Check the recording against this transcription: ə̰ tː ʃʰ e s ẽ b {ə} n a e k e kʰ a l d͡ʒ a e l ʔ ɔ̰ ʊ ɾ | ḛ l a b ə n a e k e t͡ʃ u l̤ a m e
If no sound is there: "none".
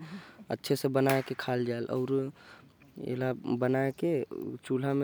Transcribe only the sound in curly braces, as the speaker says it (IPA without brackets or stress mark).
ə